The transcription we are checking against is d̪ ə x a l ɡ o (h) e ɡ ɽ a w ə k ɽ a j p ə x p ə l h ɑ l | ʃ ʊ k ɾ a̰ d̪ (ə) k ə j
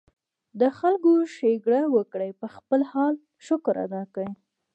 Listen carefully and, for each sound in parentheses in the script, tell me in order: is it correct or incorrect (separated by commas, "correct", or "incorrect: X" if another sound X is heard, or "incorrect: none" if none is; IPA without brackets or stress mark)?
incorrect: ʃ, incorrect: ɑ